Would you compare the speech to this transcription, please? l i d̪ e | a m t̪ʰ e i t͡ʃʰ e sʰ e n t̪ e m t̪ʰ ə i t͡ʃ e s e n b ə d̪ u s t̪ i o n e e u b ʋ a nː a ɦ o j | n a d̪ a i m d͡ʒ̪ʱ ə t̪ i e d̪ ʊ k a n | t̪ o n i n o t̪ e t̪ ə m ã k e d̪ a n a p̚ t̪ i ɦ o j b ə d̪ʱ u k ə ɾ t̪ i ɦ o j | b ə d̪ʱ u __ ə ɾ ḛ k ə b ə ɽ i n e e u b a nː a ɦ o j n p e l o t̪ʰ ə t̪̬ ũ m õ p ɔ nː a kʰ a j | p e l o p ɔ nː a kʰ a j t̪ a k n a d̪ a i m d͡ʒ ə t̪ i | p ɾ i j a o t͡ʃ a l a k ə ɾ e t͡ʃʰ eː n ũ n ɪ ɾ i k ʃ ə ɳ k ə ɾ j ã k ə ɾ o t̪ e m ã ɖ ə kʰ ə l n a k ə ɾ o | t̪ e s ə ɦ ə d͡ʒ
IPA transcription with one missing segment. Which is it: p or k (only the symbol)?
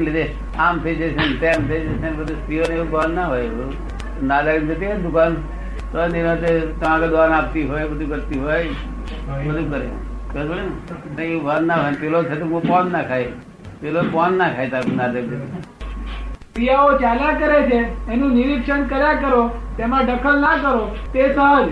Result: k